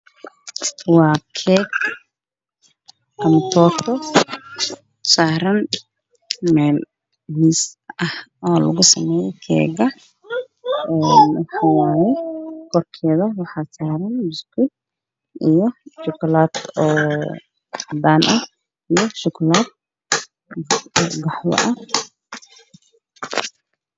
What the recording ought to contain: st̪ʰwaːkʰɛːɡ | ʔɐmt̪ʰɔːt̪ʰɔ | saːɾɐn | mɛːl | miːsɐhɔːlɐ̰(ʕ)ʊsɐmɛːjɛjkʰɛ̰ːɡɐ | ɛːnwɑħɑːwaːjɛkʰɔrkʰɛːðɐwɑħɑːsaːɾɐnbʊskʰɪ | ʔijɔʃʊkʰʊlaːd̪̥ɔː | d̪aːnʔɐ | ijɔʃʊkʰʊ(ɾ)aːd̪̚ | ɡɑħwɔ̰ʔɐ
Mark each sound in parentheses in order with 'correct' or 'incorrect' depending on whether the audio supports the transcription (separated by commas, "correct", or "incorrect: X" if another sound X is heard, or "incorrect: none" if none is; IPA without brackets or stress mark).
incorrect: ɣ, incorrect: l